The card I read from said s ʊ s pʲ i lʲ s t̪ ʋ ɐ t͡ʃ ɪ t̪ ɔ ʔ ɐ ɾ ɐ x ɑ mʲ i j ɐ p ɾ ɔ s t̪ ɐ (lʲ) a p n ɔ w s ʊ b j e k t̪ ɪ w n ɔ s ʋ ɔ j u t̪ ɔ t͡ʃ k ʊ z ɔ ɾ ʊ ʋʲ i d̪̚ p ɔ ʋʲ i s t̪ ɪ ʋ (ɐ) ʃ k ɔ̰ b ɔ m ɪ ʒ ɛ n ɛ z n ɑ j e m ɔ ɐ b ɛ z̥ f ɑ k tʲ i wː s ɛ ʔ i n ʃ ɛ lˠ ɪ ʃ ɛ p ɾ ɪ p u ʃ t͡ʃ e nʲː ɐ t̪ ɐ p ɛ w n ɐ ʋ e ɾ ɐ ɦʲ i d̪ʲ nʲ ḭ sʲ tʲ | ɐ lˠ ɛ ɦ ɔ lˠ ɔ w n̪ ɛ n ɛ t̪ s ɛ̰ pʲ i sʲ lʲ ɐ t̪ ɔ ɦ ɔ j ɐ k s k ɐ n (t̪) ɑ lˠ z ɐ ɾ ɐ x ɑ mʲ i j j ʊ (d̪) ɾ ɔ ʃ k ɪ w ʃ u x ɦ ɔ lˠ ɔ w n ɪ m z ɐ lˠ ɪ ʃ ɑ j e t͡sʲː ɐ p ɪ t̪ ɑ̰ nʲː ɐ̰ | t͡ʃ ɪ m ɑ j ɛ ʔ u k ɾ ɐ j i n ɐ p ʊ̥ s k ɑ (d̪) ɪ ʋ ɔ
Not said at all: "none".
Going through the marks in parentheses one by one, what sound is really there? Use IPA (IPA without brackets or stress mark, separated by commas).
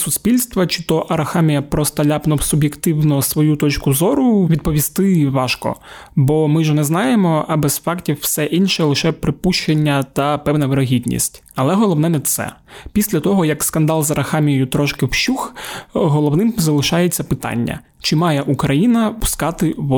lʲ, ɑ, d̪, t̪, t̪